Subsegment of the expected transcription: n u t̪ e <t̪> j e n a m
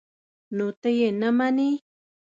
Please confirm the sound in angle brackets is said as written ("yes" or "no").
no